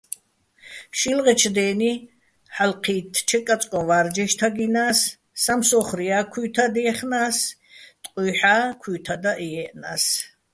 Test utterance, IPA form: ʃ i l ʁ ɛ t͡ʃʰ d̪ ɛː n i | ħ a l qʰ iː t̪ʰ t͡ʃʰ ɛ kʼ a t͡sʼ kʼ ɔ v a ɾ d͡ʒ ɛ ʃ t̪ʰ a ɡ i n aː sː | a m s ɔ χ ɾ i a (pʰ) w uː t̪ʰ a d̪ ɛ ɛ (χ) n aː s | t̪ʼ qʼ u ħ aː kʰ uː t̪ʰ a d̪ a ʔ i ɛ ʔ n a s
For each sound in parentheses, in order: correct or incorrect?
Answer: incorrect: kʰ, correct

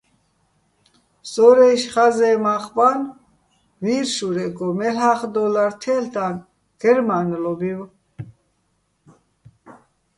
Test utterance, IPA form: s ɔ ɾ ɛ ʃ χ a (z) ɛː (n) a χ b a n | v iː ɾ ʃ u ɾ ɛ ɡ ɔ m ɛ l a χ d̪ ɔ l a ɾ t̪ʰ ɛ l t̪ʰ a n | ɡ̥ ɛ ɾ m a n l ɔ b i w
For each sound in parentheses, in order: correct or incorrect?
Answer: correct, incorrect: m

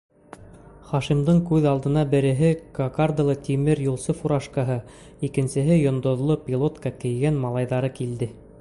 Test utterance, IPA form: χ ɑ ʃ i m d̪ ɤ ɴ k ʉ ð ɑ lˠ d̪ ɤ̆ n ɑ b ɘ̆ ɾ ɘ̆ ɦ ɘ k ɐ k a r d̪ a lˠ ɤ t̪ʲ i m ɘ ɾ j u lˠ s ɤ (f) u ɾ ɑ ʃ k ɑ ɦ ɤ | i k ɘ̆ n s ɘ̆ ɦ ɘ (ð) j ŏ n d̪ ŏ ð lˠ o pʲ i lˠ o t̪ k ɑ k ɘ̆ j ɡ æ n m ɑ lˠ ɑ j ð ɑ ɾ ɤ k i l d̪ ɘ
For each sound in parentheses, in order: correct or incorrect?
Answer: correct, incorrect: none

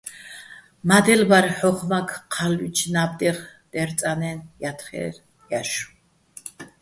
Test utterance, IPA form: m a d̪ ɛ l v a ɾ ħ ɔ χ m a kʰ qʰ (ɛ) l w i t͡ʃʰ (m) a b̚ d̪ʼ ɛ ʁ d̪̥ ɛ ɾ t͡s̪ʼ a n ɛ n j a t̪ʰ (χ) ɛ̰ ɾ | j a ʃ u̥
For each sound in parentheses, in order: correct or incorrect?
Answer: incorrect: a, incorrect: n, correct

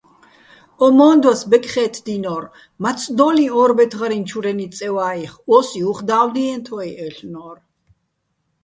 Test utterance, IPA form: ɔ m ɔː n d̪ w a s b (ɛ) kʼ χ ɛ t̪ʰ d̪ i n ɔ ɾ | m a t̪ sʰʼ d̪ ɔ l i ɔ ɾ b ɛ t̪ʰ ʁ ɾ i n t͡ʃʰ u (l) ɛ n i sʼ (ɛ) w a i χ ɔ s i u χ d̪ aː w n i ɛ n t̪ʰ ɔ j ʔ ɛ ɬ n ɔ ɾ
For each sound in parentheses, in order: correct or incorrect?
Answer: correct, incorrect: ɾ, correct

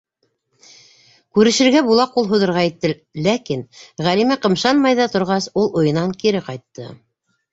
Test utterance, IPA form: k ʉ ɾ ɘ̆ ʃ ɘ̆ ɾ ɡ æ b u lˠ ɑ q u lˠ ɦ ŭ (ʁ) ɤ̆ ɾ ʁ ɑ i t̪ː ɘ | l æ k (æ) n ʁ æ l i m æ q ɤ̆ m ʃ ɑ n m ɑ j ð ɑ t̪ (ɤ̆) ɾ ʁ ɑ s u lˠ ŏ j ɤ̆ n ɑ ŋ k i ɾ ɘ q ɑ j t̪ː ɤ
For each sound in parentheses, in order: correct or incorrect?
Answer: incorrect: ð, incorrect: i, incorrect: ŏ

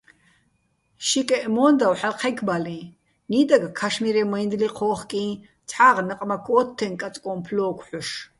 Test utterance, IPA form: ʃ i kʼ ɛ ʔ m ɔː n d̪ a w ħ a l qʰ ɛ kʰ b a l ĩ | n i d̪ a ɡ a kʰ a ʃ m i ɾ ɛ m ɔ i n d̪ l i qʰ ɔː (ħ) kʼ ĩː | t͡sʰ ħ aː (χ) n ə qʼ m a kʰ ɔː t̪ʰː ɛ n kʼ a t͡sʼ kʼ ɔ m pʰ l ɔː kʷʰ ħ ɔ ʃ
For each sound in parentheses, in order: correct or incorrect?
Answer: incorrect: χ, incorrect: ʁ

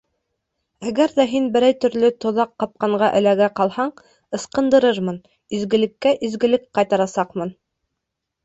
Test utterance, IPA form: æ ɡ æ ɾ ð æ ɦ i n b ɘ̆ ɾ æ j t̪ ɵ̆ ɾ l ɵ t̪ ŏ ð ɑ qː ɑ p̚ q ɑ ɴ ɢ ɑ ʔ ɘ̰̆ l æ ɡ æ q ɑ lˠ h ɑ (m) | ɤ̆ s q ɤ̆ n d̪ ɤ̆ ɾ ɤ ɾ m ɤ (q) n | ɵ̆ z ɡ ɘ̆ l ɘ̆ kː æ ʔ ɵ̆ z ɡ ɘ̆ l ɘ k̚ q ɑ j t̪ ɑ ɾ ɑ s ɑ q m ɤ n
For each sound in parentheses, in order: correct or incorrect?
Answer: incorrect: ɴ, incorrect: none

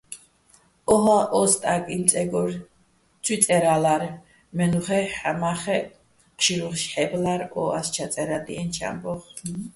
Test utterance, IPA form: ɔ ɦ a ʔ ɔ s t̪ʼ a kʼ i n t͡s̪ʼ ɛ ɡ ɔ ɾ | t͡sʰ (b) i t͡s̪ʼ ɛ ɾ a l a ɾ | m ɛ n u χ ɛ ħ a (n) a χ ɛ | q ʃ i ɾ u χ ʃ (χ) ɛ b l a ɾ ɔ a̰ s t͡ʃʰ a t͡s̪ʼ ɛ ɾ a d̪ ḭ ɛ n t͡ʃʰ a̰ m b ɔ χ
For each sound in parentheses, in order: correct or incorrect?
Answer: incorrect: w, incorrect: m, incorrect: ħ

